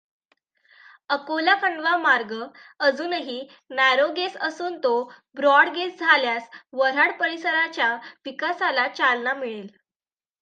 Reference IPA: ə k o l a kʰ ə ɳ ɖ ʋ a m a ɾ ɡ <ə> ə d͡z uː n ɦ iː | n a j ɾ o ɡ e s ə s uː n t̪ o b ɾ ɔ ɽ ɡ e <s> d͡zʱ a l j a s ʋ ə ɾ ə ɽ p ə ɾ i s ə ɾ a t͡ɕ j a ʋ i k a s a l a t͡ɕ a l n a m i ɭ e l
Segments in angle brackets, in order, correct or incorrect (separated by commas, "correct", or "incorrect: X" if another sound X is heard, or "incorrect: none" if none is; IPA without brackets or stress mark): correct, correct